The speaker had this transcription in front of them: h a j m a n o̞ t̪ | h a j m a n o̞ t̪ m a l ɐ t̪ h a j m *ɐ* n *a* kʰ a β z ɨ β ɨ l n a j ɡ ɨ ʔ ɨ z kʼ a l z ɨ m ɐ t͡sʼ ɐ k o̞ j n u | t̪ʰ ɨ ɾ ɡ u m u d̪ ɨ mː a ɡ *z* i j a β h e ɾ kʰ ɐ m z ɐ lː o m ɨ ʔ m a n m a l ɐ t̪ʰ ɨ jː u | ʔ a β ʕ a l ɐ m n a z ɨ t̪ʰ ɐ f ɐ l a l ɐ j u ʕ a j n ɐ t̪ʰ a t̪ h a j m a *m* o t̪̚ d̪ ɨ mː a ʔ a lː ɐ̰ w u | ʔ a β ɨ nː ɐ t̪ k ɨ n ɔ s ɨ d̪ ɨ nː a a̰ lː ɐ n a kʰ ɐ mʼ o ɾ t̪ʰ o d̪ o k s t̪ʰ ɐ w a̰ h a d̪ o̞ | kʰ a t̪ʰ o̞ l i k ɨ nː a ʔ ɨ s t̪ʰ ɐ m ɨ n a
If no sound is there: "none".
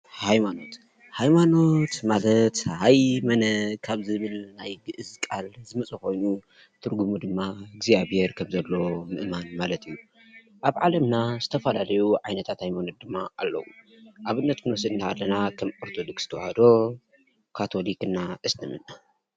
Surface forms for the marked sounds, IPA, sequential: ɐ, ɐ, z, n

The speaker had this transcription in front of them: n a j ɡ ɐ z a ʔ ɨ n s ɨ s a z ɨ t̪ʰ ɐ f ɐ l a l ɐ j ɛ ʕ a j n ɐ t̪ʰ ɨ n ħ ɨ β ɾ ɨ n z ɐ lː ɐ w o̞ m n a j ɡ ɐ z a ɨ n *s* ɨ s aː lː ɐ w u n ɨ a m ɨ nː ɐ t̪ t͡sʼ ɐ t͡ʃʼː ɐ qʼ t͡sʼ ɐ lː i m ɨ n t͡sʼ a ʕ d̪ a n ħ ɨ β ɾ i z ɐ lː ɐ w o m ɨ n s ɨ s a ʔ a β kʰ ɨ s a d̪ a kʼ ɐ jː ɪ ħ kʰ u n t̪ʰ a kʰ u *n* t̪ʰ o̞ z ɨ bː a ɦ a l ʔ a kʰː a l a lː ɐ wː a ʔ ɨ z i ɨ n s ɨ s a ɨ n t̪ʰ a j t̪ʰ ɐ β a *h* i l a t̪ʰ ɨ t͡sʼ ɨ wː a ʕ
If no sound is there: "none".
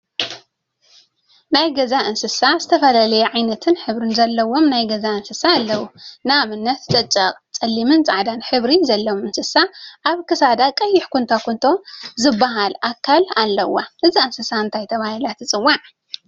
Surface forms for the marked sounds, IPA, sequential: s, n, h

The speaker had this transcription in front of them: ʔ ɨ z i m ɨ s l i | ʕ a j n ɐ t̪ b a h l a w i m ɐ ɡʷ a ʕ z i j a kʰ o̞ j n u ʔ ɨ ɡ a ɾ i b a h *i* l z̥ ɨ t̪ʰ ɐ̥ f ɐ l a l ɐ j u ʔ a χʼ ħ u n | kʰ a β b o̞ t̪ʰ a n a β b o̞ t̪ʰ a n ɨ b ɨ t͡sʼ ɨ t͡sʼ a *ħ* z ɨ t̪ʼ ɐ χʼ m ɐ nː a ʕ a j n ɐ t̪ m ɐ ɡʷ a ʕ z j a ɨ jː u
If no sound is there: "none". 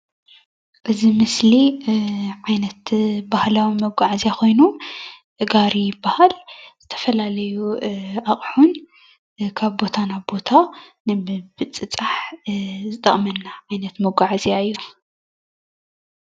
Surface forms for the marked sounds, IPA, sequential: a, ħ

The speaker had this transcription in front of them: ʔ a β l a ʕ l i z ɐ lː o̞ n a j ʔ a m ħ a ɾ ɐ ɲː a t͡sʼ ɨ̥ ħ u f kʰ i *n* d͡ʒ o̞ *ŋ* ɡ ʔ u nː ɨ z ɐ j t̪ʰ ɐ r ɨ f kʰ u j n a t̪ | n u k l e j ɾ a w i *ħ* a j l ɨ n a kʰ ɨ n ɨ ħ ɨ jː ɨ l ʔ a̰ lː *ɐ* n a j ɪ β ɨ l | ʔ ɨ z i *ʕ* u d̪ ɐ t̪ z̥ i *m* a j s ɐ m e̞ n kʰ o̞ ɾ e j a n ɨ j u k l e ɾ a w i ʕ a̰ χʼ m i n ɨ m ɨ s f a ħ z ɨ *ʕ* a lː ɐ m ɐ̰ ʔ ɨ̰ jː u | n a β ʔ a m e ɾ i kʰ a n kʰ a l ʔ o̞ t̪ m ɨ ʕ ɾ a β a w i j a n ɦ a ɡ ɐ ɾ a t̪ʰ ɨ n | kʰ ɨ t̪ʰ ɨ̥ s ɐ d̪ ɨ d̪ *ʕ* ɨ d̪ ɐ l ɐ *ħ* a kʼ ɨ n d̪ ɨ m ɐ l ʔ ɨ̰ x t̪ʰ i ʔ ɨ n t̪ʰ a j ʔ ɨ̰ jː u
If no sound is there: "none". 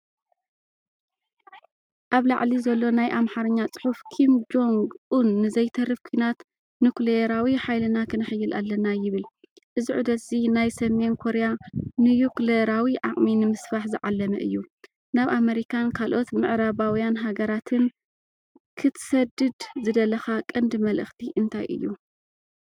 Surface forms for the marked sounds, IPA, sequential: m, ŋ, ħ, ɐ, ʕ, n, ʕ, z, x

